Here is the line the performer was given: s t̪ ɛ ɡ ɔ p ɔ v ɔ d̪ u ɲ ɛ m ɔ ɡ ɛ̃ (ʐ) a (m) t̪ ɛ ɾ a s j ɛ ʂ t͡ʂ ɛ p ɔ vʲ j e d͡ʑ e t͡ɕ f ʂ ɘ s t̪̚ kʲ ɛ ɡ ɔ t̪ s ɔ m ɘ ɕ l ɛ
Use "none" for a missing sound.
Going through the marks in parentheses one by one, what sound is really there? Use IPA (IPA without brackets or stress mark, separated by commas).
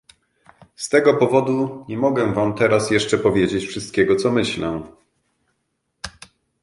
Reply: v, m